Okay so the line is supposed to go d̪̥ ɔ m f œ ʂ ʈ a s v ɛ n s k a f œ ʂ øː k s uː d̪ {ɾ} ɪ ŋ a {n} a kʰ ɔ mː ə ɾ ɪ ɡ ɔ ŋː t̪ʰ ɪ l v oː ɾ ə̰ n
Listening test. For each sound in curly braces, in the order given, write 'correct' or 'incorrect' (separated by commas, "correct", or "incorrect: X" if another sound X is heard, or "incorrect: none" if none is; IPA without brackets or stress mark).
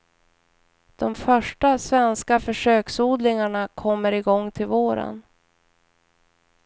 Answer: incorrect: l, incorrect: ɳ